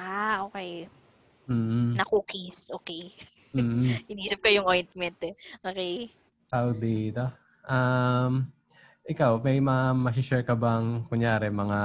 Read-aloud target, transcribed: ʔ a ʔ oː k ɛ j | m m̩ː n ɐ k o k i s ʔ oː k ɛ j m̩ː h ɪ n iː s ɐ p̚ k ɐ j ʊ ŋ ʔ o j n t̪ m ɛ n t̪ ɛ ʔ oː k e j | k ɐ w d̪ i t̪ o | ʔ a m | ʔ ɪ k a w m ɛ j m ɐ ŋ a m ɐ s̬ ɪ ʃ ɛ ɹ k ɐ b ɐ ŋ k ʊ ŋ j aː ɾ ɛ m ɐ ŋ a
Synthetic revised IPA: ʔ a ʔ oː k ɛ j | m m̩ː n ɐ k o k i s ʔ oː k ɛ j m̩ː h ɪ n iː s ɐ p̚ k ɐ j ʊ ŋ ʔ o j n t̪ m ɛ n t̪ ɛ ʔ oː k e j | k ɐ w d̪ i t̪ o | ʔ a m | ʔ ɪ k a w m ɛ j m ɐ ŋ a m ɐ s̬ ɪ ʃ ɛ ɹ k ɐ b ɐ ŋ k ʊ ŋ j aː ɾ ɛ m ɐ ŋ a